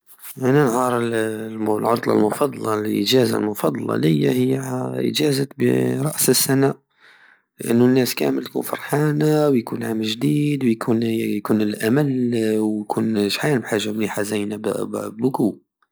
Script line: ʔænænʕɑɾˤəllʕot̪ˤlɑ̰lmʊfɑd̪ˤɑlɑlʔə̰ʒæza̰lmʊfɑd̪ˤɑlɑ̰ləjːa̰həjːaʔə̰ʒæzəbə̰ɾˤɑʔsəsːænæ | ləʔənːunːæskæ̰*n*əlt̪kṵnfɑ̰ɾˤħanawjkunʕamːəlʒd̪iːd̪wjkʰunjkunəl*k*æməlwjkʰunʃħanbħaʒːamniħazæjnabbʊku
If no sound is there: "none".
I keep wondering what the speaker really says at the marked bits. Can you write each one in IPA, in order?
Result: m, ʔ

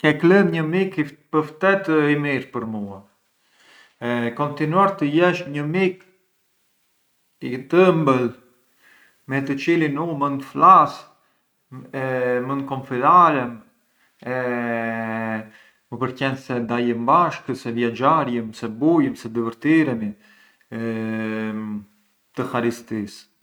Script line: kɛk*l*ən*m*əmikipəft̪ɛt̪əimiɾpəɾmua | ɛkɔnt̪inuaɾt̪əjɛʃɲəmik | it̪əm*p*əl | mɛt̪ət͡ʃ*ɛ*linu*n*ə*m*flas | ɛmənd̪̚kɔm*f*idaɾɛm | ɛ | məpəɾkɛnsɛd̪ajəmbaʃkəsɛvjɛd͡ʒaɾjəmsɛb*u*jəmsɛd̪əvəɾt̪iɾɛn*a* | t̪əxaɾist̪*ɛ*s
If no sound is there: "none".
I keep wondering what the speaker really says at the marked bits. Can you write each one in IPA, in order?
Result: l, ɲ, b, i, m, n, f, u, i, i

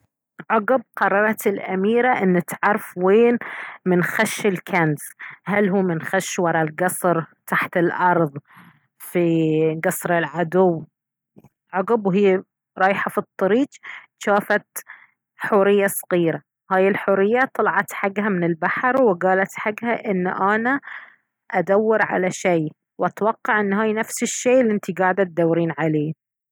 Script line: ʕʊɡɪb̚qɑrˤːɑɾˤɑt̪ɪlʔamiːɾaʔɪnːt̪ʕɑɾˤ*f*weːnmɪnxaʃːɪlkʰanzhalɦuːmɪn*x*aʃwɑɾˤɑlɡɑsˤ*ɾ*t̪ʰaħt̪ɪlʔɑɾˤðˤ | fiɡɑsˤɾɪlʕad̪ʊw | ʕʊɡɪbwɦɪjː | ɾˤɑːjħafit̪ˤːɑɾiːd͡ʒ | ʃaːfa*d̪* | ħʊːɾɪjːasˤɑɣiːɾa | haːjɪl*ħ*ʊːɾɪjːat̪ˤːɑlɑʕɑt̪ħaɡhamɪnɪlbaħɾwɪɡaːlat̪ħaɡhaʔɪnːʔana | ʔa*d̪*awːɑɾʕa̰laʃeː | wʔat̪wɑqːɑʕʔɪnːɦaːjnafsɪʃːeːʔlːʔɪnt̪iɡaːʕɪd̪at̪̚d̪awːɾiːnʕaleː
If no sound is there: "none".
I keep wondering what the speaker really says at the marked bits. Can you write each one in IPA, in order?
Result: f, x, ɾ, t̪, ħ, d̪

